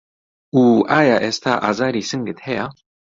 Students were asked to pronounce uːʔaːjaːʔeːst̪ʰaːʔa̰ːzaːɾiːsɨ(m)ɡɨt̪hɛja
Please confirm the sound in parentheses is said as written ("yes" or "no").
no